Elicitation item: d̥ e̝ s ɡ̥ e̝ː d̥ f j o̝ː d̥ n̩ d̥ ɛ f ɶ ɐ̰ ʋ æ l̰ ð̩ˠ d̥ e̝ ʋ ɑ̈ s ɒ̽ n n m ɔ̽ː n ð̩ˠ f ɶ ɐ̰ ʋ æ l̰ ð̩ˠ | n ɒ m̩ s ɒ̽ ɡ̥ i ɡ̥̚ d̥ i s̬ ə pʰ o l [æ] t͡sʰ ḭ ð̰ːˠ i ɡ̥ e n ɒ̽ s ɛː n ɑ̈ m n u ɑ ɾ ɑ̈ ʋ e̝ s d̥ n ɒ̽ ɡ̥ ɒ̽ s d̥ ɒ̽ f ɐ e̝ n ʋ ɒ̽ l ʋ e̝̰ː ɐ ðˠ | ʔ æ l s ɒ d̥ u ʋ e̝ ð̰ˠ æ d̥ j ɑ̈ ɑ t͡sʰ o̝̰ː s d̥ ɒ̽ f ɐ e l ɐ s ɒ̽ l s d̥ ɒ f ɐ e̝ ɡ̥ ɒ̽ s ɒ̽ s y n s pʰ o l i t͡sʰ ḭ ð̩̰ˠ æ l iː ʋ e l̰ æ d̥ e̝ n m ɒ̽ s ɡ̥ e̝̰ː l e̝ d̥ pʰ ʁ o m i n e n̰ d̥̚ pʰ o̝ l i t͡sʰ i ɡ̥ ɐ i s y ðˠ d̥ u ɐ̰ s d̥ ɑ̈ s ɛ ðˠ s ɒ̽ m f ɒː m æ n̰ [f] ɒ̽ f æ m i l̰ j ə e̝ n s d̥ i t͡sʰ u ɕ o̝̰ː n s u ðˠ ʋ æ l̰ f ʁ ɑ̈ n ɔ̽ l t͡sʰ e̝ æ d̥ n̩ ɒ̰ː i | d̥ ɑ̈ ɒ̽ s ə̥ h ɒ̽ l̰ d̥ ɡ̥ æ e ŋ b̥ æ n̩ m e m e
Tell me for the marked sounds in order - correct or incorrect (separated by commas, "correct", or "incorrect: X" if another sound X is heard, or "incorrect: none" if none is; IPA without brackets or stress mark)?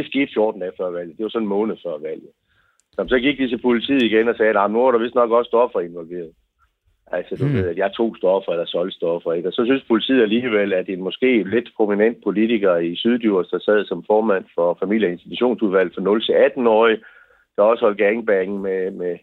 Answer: incorrect: i, correct